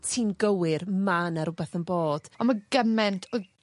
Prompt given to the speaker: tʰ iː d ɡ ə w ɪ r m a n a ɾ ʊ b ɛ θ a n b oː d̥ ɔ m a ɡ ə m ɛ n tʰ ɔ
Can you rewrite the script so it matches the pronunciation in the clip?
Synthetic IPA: tʰ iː n ɡ ə w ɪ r m a n a ɾ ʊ b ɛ θ ə n b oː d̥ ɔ m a ɡ ə m ɛ n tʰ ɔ